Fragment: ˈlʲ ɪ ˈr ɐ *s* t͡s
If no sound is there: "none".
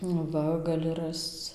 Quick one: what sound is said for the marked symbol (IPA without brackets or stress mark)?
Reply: s